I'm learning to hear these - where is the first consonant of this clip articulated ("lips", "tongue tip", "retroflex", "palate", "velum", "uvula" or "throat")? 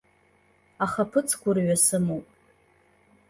uvula